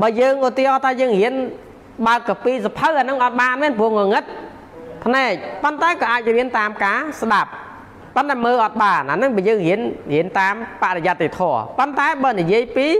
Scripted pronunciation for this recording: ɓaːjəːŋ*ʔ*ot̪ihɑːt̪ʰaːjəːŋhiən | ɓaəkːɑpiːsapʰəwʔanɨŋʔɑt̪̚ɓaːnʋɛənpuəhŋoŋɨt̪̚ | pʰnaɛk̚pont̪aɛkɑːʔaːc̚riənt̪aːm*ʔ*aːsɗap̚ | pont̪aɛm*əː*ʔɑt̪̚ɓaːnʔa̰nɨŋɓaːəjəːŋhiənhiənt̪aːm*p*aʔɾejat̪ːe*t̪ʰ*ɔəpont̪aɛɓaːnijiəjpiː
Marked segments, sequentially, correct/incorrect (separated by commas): correct, incorrect, correct, correct, correct